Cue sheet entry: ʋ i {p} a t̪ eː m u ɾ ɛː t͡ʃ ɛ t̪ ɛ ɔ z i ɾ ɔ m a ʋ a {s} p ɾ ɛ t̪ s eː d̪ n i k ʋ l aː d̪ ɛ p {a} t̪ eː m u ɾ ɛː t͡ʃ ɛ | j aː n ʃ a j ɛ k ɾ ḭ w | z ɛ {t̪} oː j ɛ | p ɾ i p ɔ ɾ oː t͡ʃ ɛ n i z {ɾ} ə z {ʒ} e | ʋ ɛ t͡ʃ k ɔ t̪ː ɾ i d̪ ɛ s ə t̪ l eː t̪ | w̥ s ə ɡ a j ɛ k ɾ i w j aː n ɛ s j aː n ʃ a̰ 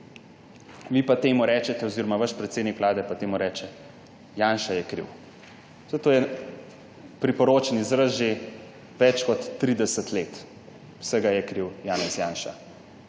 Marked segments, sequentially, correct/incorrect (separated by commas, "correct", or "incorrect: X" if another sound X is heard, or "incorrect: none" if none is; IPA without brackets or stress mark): correct, incorrect: ʃ, correct, correct, correct, correct